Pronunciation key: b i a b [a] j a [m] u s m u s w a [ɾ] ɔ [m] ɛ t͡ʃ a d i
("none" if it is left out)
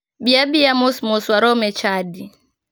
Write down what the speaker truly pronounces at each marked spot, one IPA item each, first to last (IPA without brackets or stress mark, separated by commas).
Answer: i, m, ɾ, m